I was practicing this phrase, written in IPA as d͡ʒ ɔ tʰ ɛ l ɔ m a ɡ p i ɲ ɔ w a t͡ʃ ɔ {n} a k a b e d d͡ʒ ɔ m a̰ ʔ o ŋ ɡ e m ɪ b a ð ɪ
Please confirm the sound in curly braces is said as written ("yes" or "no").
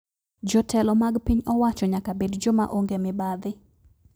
no